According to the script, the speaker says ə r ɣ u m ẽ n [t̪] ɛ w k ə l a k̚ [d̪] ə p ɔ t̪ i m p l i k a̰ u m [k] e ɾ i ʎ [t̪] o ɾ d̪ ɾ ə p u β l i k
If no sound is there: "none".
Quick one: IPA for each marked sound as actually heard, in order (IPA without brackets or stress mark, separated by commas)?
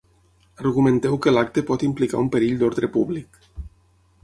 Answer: t̪, t̪, p, d̪